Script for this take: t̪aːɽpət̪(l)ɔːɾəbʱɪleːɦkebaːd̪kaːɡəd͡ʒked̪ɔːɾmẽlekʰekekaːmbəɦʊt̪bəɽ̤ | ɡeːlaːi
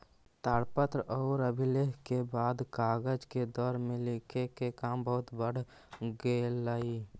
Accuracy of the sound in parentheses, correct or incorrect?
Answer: incorrect: ɾ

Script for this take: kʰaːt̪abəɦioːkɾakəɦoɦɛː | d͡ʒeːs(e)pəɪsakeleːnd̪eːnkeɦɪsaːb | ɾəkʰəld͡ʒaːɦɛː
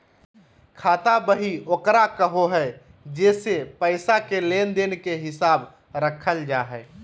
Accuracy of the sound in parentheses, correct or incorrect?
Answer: correct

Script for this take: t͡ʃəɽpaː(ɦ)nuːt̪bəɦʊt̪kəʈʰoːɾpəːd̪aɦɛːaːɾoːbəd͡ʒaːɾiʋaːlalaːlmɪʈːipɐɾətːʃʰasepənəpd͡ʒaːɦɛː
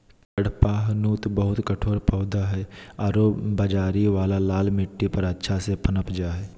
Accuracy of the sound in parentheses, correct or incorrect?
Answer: correct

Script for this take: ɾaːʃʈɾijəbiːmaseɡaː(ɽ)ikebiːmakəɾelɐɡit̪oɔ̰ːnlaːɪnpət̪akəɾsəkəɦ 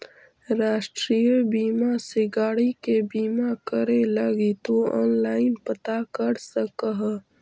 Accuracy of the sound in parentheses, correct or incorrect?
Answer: correct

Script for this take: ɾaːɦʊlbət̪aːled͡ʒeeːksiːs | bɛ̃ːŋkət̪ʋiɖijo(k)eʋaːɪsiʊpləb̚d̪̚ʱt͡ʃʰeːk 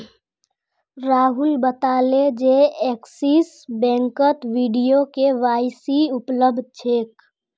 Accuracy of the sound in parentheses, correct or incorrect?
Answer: correct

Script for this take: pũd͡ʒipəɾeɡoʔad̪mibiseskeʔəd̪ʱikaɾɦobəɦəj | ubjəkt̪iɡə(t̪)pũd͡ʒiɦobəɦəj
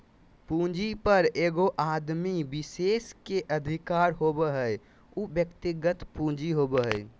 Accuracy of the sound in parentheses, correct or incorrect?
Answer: correct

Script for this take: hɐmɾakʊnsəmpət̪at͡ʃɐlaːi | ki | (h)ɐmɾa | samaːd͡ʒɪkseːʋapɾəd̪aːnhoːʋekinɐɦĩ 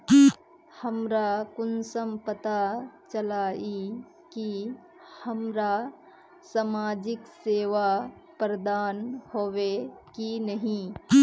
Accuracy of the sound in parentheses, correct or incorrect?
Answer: correct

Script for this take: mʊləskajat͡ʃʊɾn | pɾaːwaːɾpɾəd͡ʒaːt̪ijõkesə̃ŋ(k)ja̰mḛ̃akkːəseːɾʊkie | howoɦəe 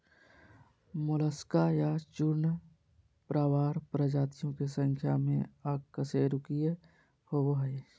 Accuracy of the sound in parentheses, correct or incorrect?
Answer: incorrect: kʰ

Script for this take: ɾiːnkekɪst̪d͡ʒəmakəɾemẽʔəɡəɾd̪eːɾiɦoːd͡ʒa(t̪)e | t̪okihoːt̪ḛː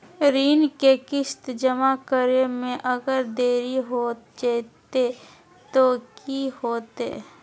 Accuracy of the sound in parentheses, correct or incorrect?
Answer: correct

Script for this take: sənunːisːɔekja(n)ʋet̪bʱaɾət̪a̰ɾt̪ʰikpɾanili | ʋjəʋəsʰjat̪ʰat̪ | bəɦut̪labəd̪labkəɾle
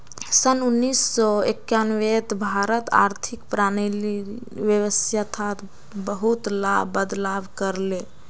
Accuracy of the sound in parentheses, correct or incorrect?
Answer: correct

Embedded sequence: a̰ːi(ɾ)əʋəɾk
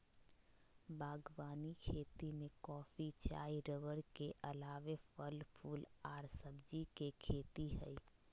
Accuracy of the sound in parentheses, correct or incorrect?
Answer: correct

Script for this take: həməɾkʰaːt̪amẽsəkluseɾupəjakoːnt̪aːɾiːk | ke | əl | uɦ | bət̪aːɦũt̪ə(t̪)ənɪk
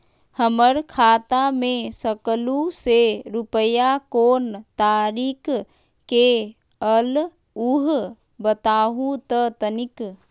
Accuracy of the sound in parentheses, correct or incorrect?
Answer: correct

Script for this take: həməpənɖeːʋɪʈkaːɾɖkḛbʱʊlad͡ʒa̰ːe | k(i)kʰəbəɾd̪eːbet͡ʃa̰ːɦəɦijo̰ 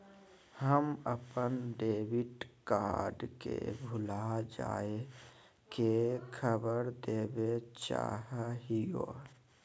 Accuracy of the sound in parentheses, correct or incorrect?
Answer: incorrect: e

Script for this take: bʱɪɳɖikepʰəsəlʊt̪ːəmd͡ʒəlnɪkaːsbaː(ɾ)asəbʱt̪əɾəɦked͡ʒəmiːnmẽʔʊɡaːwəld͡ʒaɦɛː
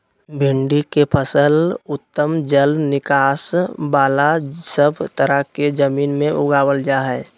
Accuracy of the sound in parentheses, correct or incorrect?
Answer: incorrect: l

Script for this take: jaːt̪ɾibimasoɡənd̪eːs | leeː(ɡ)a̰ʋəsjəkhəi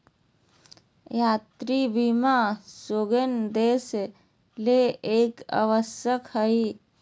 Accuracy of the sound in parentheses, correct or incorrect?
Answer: incorrect: k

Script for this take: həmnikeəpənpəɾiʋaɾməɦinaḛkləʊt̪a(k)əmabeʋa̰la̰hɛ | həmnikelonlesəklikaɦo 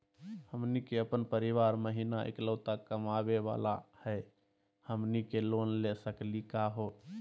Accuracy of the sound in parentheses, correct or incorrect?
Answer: correct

